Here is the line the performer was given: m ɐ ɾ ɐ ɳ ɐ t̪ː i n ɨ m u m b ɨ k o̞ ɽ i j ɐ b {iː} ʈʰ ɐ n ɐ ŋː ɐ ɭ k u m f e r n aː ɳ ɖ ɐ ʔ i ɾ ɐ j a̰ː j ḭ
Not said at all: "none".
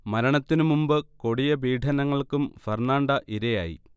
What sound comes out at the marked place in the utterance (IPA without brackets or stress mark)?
iː